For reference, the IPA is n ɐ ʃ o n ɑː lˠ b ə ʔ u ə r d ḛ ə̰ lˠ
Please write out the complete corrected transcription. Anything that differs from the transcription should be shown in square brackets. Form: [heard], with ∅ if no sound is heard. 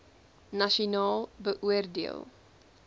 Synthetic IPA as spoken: n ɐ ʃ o n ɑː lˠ b ə ʔ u ə r d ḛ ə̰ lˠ